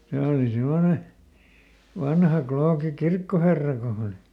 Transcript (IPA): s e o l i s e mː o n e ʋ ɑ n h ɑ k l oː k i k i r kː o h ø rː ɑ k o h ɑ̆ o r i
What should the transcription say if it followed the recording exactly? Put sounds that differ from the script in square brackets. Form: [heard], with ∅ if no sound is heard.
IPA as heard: s e o l i s e mː o n e ʋ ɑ n h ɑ k l oː k i k i r kː o h [e] rː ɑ k o h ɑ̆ o [l] i